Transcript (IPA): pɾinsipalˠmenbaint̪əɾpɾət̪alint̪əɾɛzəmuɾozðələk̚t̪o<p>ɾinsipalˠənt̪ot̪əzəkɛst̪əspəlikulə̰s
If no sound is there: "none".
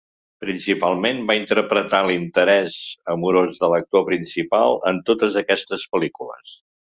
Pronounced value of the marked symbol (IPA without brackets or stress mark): p